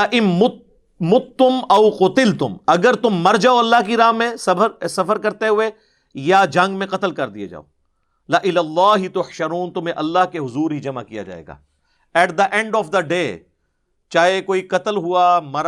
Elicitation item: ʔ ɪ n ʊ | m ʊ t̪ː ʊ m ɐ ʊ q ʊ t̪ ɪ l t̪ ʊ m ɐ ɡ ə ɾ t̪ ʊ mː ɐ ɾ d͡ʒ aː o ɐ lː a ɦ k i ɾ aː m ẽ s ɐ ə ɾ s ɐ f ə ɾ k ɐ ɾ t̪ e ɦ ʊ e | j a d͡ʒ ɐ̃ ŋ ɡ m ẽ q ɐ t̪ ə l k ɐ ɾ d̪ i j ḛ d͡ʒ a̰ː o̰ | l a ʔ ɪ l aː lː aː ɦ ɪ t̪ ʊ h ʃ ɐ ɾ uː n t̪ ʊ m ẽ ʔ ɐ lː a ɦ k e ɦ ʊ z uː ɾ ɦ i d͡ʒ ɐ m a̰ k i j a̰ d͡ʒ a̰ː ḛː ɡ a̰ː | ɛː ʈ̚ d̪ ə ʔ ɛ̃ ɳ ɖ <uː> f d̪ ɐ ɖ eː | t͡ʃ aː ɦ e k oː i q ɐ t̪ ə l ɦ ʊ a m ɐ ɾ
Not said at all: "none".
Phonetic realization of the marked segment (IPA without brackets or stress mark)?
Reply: ɔː